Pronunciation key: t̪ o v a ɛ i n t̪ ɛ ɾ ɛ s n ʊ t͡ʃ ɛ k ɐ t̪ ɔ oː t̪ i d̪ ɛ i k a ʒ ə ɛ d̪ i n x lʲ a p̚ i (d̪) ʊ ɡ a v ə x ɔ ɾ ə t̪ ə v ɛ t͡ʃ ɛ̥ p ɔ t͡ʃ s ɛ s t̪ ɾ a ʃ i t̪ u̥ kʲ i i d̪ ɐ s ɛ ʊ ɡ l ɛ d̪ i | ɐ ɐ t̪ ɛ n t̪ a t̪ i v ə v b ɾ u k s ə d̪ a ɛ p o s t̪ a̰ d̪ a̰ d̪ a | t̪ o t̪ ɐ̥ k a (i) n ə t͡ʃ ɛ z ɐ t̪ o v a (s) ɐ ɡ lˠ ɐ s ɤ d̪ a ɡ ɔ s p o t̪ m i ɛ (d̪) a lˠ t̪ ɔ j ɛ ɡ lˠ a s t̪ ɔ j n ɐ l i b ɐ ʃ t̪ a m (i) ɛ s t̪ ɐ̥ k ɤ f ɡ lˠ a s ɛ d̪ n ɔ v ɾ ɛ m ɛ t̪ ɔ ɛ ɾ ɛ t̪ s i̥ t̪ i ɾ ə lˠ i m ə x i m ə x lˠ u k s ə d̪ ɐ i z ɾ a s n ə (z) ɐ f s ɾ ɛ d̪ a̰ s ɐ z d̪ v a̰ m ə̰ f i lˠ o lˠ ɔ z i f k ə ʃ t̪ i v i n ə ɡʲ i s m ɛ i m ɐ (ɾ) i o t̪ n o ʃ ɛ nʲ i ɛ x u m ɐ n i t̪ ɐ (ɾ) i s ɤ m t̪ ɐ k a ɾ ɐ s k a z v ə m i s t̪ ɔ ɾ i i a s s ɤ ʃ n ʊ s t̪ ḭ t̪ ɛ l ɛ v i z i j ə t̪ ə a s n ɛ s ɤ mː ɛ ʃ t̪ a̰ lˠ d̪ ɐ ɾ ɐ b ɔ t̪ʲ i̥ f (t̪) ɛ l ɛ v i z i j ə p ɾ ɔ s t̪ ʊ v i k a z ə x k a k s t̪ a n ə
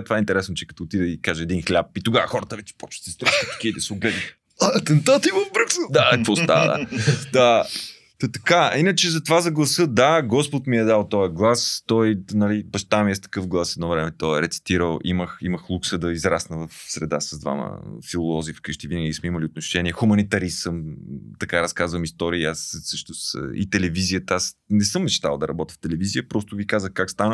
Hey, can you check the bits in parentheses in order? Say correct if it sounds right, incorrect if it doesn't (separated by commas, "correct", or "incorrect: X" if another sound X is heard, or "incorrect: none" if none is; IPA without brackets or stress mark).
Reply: incorrect: t̪, correct, incorrect: z, correct, correct, incorrect: v, incorrect: l, correct, correct